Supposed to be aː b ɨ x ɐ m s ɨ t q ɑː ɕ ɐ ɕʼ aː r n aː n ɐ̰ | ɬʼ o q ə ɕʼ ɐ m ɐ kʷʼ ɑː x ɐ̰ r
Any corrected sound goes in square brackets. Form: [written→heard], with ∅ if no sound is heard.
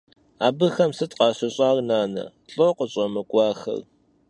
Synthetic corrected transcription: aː b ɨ x ɐ m s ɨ t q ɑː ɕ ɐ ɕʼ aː r n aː n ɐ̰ | ɬʼ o q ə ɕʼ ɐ m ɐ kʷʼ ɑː x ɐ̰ r